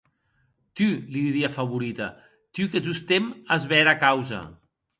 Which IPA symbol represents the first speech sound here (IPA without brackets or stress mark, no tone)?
t̪